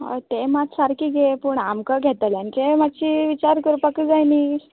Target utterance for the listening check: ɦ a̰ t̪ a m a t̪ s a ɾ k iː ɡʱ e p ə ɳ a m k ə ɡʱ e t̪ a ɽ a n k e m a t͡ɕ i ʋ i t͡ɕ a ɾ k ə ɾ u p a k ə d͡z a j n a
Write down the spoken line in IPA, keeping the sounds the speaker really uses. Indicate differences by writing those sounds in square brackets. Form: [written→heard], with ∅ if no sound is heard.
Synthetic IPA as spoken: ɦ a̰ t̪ [a→e] m a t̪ s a ɾ k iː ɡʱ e p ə ɳ a m k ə ɡʱ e t̪ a [ɽ→l] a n k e m a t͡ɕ i ʋ i t͡ɕ a ɾ k ə ɾ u p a k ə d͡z a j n [a→i]

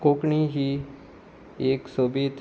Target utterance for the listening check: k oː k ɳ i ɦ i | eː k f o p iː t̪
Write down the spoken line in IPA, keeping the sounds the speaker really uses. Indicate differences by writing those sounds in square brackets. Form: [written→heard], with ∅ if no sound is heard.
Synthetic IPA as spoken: k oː k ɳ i ɦ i | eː k [f→s] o [p→b] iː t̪

